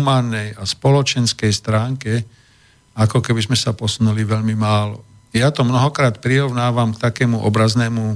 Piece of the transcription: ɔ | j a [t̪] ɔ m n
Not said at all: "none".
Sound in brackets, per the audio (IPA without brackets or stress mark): t̪